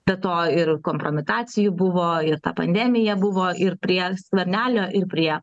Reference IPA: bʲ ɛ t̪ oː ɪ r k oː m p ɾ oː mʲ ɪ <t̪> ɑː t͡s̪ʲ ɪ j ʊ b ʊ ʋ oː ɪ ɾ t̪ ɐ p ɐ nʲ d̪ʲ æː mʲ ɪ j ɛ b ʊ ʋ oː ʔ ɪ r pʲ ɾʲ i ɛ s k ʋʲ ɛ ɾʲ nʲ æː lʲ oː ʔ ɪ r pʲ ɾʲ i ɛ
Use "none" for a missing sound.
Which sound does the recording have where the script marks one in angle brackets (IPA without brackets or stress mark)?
t̪